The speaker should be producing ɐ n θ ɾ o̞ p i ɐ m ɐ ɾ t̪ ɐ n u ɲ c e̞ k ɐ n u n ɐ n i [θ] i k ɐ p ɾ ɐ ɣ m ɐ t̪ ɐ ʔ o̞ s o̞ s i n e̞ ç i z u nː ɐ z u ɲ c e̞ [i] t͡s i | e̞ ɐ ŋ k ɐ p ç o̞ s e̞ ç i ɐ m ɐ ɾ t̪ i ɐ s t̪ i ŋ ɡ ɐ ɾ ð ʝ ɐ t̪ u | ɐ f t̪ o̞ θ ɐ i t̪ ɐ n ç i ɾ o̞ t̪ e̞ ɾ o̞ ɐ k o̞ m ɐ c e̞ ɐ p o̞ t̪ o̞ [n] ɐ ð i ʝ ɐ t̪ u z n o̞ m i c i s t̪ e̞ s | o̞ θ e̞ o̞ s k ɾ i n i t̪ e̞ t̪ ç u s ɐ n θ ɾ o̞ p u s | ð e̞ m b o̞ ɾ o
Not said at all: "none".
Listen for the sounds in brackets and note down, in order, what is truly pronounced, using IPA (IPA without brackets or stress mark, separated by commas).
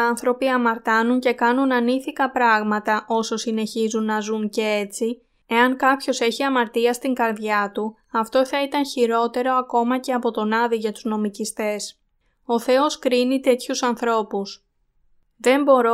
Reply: θ, e, n